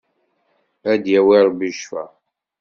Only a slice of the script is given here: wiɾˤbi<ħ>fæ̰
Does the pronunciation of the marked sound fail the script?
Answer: yes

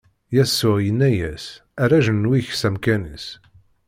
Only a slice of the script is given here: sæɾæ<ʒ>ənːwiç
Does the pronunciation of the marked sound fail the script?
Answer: no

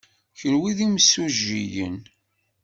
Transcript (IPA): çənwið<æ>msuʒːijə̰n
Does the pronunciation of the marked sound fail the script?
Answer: yes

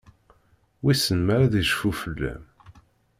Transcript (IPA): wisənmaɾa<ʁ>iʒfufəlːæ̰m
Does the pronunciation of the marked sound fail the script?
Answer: yes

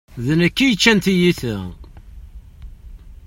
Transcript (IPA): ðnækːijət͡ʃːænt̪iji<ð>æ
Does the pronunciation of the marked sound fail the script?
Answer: yes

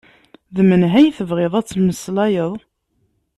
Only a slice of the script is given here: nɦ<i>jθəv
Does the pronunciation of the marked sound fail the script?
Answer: yes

